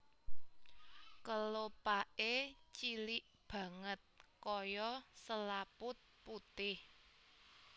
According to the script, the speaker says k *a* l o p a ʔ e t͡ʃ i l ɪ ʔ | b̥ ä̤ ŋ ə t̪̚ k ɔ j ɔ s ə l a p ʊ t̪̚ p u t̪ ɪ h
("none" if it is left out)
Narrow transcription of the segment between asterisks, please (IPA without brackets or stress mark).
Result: ə